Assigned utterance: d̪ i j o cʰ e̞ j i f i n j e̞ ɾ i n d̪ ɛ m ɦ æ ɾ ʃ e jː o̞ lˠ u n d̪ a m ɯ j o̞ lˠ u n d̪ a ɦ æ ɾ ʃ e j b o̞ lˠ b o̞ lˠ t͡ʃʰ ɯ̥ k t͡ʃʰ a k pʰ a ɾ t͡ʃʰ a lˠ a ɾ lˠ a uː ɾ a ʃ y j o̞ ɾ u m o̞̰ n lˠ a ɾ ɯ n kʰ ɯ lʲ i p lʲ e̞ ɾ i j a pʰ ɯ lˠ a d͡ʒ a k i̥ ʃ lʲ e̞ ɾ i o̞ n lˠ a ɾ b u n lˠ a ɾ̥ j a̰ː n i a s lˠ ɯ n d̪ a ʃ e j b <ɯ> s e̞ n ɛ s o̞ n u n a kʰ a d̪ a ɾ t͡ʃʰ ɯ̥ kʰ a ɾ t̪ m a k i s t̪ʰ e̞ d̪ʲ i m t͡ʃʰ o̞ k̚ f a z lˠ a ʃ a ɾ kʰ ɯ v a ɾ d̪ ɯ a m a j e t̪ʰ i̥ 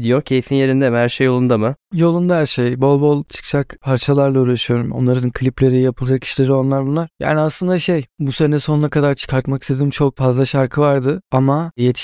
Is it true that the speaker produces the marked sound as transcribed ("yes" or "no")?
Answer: no